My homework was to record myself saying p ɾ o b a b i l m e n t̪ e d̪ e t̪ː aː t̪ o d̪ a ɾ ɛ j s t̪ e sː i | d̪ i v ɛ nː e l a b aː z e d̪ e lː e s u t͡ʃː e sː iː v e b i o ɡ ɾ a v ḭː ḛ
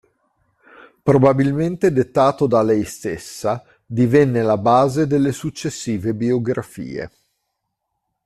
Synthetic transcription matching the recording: p ɾ o b a b i l m e n t̪ e d̪ e t̪ː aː t̪ o d̪ a l ɛ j s t̪ e sː a | d̪ i v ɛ nː e l a b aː z e d̪ e lː e s u t͡ʃː e sː iː v e b i o ɡ ɾ a f ḭː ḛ